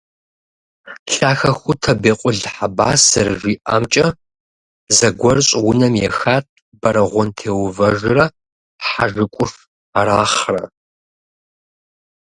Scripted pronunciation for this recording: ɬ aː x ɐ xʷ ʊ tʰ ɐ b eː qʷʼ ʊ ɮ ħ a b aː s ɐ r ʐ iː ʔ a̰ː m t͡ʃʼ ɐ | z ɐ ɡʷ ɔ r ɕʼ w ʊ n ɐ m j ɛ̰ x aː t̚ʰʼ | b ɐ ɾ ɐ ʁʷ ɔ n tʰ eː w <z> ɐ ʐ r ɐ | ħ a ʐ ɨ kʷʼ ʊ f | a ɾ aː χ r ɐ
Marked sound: incorrect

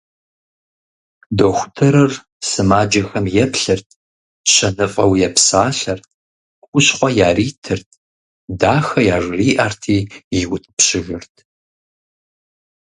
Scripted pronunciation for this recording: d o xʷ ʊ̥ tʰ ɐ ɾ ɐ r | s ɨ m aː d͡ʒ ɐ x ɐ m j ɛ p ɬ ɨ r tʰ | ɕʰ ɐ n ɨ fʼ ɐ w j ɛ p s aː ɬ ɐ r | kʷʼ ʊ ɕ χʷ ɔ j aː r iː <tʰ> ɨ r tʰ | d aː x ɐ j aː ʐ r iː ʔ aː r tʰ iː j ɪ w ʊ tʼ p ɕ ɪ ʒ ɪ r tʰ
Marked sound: correct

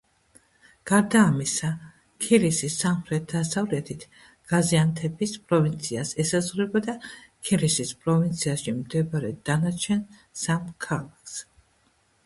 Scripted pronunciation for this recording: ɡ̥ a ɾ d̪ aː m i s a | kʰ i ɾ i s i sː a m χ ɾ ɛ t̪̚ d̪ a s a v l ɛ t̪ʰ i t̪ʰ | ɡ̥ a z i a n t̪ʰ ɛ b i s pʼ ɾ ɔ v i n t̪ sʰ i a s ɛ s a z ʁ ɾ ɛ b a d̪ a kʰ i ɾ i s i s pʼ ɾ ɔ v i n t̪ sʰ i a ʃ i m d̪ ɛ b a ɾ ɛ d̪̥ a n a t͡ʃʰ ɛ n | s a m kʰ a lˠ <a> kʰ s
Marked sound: correct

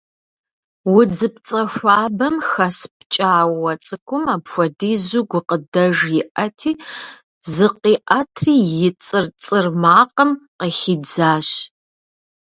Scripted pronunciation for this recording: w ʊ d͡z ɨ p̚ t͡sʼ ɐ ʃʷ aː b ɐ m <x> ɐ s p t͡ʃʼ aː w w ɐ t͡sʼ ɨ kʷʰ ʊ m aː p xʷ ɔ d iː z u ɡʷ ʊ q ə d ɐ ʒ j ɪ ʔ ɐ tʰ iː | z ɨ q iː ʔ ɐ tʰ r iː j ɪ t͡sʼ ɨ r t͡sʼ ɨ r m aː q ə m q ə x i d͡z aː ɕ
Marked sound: correct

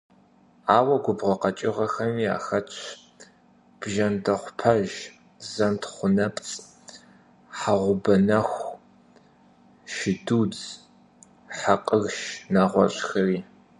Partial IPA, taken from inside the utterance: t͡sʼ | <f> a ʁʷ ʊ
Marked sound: incorrect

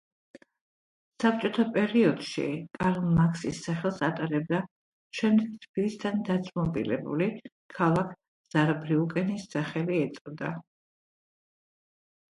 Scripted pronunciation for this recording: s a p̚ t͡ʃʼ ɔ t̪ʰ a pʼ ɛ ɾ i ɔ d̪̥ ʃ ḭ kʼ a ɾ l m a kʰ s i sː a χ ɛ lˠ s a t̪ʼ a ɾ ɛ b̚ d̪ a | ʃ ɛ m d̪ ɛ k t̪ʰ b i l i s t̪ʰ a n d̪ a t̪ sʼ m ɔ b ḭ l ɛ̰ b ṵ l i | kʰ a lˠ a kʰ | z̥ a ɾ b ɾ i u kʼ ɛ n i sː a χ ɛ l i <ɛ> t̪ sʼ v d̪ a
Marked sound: correct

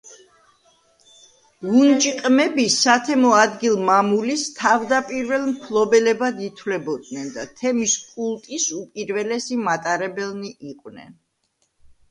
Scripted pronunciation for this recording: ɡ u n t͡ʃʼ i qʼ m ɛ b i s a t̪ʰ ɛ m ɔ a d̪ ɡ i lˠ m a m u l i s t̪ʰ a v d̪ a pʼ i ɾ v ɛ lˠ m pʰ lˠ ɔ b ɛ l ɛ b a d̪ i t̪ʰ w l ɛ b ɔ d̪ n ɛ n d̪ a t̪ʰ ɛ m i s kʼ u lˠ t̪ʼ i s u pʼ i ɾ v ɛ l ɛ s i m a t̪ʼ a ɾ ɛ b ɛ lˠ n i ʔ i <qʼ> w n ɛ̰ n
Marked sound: correct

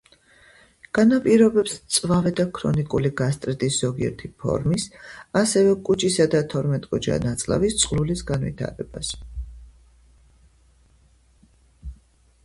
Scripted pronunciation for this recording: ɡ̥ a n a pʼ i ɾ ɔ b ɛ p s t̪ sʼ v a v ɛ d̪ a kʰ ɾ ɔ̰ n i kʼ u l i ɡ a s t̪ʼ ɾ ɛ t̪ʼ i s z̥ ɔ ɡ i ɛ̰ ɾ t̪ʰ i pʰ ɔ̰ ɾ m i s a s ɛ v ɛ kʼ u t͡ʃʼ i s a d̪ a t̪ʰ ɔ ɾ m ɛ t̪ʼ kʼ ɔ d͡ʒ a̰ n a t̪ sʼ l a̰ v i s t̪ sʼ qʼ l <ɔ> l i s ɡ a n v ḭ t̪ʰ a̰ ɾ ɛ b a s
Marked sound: incorrect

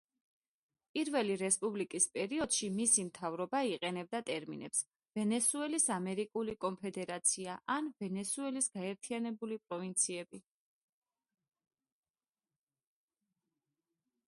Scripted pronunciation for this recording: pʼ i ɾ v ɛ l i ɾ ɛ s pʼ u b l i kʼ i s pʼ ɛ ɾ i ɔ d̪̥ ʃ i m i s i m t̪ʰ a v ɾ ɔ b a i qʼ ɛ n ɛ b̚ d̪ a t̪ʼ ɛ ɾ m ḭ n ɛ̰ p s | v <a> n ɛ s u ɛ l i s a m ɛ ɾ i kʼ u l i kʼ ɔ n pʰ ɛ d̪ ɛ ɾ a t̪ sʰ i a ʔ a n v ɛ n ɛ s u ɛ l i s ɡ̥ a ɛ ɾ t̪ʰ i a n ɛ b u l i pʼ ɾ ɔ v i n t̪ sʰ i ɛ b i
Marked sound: incorrect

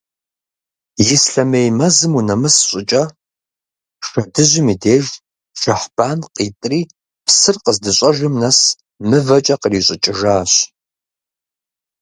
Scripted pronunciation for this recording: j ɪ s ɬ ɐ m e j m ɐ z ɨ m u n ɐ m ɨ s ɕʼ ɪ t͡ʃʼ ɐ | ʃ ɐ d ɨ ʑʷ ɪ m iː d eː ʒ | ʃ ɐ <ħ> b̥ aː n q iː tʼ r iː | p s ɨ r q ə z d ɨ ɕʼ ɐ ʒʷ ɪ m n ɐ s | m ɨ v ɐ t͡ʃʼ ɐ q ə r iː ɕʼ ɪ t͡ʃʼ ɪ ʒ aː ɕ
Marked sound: correct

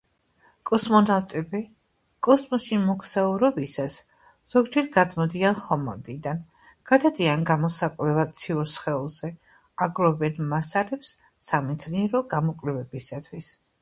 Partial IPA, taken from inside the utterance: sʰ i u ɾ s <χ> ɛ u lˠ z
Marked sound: correct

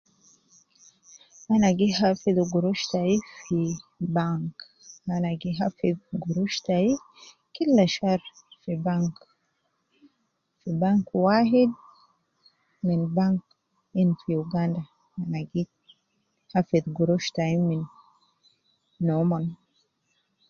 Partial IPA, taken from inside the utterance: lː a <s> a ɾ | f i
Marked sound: incorrect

